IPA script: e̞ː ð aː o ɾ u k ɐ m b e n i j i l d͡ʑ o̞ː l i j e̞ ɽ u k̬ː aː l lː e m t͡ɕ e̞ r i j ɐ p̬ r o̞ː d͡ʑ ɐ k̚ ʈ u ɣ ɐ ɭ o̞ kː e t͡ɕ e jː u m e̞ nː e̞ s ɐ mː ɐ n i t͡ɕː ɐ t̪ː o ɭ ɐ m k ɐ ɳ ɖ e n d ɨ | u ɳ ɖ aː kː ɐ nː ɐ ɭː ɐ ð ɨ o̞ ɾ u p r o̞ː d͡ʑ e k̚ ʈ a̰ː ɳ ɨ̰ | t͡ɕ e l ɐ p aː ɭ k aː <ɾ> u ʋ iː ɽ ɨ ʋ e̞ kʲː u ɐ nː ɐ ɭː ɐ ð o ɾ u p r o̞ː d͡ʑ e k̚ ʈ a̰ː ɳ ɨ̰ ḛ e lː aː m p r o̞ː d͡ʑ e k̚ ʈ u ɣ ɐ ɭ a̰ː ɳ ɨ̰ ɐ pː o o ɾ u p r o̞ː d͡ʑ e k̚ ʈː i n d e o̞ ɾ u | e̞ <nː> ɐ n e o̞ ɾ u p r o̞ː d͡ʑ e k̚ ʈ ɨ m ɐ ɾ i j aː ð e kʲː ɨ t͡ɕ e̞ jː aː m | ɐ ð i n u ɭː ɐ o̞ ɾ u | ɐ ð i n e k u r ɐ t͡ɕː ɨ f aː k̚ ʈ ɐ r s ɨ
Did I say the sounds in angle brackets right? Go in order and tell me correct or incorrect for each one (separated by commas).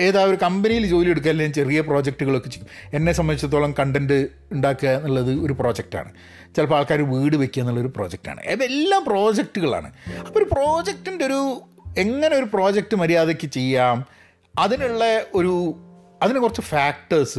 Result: correct, incorrect